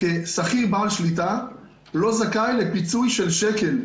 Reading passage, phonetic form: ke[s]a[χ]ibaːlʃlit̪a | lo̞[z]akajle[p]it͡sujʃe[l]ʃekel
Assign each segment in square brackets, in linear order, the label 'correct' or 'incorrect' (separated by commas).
correct, correct, correct, correct, correct